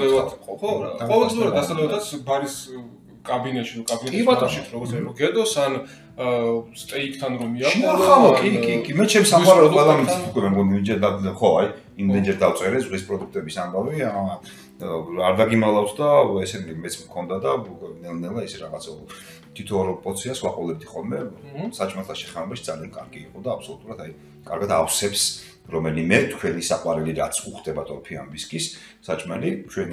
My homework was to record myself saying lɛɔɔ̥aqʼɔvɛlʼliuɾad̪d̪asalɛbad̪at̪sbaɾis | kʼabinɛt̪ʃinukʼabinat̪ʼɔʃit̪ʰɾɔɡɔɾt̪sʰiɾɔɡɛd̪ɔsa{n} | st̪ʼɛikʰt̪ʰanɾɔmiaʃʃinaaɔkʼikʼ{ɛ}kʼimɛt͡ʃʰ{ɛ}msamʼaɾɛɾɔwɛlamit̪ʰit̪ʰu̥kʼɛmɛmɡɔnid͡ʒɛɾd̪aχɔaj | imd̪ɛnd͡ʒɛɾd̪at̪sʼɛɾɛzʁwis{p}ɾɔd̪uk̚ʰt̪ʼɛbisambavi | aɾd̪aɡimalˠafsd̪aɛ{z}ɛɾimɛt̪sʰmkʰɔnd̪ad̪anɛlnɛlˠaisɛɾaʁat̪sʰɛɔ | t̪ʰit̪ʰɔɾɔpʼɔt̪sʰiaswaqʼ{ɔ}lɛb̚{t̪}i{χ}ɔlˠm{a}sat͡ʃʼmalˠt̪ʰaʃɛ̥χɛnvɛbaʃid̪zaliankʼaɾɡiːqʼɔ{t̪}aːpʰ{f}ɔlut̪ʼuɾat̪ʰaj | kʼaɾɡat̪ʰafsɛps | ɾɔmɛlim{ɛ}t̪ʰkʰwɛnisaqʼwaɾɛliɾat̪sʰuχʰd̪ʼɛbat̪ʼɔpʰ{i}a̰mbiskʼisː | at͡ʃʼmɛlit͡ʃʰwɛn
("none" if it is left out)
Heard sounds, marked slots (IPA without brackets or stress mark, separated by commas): n, i, ɛ, pʼ, s, ɔ, d̪, χ, ɛ, d̪, s, ɛ, i